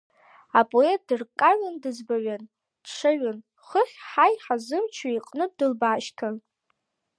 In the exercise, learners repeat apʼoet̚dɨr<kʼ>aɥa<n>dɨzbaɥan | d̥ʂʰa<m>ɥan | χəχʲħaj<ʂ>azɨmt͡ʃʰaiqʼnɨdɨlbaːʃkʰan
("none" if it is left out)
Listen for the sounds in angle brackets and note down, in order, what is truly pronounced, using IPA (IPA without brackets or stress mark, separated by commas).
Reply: kʼ, n, none, ħ